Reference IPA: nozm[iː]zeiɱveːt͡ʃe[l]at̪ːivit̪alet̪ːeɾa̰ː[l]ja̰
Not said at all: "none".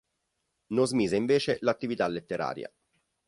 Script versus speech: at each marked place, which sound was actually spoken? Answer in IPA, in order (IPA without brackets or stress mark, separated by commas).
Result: iː, l, ɾ